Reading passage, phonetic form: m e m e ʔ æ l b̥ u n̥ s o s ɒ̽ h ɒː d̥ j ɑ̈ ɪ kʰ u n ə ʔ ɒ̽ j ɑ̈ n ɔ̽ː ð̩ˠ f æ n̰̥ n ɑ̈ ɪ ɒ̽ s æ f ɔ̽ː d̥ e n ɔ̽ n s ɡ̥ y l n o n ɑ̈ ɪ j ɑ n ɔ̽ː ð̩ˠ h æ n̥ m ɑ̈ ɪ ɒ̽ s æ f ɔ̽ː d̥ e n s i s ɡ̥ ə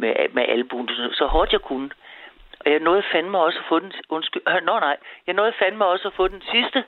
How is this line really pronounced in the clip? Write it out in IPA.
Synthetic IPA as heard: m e m e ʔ æ l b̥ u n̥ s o s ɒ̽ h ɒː d̥ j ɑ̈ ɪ kʰ u n ə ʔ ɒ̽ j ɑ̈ n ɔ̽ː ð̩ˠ f æ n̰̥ m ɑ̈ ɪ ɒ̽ s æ f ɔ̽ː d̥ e n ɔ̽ n s ɡ̥ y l n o n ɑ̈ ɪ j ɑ n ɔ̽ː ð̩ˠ f æ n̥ m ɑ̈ ɪ ɒ̽ s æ f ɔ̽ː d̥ e n s i s d̥ ə